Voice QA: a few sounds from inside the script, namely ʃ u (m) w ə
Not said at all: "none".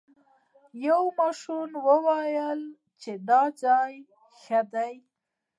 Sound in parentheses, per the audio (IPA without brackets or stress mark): n